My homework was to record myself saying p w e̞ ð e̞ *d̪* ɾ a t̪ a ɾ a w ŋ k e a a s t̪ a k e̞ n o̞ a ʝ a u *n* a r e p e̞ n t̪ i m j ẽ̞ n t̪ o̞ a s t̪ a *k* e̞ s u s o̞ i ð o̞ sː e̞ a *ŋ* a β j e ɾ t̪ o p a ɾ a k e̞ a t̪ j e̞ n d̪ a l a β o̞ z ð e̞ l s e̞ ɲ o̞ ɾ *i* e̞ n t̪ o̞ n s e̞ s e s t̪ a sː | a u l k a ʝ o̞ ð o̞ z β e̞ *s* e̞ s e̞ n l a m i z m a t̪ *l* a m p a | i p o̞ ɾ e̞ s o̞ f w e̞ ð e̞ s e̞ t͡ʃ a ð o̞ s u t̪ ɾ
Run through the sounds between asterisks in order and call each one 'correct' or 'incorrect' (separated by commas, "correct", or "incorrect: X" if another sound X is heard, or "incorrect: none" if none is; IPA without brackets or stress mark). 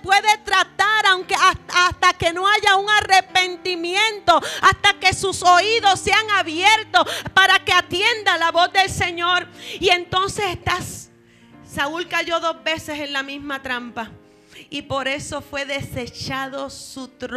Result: incorrect: t̪, incorrect: ŋ, correct, correct, correct, correct, incorrect: ɾ